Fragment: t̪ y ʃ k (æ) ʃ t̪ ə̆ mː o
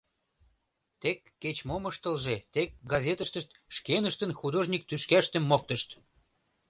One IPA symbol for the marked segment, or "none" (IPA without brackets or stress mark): æ